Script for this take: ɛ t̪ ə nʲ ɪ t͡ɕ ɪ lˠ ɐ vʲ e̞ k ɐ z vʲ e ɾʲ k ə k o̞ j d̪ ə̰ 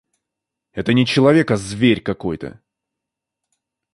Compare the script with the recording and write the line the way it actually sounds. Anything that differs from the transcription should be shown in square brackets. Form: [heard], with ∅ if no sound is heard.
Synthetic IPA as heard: ɛ t̪ ə nʲ ɪ t͡ɕ ɪ lˠ ɐ vʲ e̞ k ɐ z vʲ e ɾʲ k [ɐ] k o̞ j [t̪] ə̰